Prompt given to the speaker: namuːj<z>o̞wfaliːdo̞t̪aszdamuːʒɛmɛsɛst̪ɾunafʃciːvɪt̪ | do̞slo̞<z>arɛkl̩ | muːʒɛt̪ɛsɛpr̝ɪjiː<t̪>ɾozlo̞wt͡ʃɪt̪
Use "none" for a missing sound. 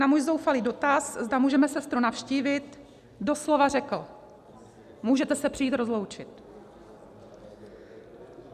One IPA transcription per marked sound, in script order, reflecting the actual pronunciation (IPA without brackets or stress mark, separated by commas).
z, v, t̪